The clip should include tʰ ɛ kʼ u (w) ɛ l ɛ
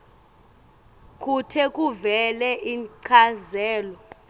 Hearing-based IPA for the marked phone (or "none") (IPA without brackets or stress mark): v